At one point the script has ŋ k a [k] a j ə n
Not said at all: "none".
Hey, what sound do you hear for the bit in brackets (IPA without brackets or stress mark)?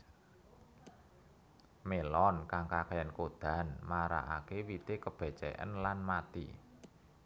k